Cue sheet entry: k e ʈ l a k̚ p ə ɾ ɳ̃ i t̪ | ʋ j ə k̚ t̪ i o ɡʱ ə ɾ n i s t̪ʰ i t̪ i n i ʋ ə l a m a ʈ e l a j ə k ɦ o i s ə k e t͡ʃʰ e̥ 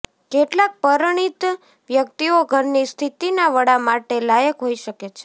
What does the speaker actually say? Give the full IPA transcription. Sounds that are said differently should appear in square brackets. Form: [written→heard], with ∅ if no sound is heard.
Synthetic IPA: k e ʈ l a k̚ p ə ɾ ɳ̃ i t̪ | ʋ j ə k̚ t̪ i o ɡʱ ə ɾ n i s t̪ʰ i t̪ i n [i→a] ʋ ə [l→ɽ] a m a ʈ e l a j ə k ɦ o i [s→ʃ] ə k e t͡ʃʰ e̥